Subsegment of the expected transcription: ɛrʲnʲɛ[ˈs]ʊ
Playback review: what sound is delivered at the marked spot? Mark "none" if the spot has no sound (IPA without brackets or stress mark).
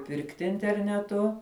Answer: t